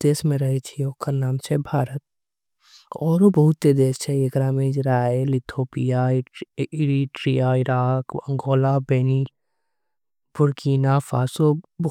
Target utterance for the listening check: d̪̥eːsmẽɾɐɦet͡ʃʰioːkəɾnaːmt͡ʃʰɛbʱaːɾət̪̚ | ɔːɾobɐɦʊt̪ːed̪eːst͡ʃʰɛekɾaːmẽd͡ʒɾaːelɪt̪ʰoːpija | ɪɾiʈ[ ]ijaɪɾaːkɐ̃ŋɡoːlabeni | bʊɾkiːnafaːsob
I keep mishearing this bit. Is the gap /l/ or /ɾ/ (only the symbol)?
ɾ